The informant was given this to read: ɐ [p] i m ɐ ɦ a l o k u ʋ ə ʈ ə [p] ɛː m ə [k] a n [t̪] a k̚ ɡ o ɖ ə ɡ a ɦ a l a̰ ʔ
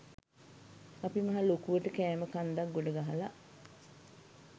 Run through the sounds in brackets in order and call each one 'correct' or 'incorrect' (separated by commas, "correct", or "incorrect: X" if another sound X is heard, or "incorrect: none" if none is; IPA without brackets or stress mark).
correct, incorrect: k, correct, incorrect: d̪